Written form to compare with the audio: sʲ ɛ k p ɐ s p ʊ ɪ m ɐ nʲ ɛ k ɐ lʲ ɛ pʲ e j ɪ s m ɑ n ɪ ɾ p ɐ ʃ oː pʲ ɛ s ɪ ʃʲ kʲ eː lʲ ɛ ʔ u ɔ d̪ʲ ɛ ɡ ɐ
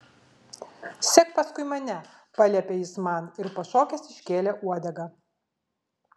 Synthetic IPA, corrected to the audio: sʲ ɛ k p ɐ s k ʊ ɪ m ɐ nʲ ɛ p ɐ lʲ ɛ pʲ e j ɪ s m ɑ n ɪ ɾ p ɐ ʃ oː kʲ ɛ s ɪ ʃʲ kʲ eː lʲ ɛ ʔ u ɔ d̪ʲ ɛ ɡ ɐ